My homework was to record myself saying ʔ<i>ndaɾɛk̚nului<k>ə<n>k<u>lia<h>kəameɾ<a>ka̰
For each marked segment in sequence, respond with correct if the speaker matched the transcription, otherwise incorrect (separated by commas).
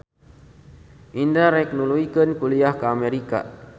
correct, correct, correct, correct, correct, incorrect